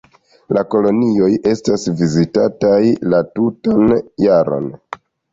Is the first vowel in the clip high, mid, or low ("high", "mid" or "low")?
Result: low